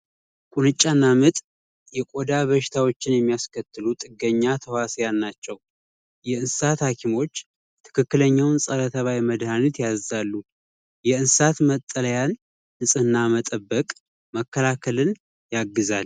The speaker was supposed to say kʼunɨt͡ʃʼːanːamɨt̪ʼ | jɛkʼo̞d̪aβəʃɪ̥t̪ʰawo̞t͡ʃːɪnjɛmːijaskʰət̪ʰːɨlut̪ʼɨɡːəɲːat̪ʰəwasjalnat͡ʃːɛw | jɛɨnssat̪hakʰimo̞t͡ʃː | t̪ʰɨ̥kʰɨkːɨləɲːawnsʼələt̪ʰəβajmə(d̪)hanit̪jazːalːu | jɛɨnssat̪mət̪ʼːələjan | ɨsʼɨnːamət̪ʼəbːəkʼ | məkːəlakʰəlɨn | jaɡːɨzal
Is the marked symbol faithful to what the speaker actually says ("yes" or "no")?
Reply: yes